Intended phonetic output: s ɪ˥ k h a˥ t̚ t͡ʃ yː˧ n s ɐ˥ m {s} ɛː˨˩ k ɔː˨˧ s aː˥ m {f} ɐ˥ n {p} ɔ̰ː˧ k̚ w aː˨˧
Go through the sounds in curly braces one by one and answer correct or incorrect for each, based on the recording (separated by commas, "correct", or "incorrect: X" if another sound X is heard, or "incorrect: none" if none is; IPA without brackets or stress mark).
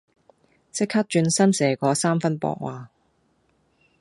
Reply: correct, correct, correct